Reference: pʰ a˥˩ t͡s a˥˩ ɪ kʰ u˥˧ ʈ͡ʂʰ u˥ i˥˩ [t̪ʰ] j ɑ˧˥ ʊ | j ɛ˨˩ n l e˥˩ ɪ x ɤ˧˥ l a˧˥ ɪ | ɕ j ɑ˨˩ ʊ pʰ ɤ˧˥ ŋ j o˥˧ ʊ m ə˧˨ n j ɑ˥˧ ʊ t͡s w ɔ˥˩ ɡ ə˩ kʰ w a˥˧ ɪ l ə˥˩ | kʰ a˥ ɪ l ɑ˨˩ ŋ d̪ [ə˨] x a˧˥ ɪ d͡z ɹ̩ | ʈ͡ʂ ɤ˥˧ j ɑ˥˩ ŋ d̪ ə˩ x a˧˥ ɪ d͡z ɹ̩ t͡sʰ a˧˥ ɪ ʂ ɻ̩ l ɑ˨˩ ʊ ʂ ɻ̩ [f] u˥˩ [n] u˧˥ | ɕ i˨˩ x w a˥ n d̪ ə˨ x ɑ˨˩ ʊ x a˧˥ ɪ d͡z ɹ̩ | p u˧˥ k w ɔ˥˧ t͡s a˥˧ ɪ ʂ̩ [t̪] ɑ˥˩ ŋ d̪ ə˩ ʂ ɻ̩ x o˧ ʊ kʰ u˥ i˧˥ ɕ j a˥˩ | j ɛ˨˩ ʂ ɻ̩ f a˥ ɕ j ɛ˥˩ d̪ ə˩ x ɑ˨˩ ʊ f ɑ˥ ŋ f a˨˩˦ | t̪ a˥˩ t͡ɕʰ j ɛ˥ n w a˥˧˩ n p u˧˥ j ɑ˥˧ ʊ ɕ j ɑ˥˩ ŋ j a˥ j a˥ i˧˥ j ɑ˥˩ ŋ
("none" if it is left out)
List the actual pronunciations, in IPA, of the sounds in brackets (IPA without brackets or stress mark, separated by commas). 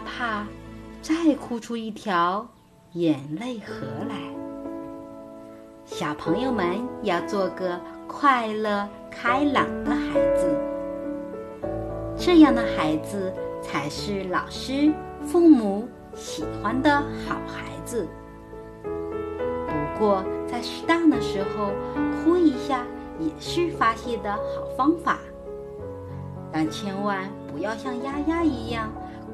t̪ʰ, ə˦, f, m, t̪